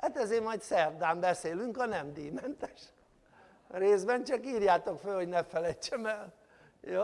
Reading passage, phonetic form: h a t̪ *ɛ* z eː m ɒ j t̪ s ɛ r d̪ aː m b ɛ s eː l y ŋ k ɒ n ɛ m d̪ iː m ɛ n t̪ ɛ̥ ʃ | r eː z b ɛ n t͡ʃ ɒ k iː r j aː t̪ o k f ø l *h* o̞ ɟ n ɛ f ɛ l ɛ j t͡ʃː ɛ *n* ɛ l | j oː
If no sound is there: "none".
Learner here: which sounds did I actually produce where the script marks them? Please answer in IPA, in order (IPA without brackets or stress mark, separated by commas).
ɛ, h, m